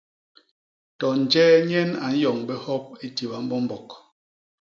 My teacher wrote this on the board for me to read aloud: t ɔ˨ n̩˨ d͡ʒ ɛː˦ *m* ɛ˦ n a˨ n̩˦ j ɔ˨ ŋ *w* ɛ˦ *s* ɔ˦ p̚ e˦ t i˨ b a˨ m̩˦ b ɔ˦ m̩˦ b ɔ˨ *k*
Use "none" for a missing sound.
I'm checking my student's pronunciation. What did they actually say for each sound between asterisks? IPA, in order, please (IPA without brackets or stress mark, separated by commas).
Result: ɲ, b, h, k